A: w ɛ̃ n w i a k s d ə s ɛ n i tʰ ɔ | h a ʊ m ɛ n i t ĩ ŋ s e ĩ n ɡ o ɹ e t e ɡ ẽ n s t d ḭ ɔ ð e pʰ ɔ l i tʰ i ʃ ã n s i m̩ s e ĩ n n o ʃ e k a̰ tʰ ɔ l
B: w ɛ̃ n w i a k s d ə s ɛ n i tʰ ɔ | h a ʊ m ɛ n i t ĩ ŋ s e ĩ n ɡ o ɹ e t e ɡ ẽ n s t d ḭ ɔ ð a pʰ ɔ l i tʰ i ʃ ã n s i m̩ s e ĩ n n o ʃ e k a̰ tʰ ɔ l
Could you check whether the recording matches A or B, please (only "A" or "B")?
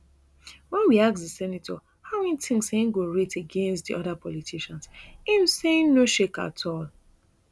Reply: B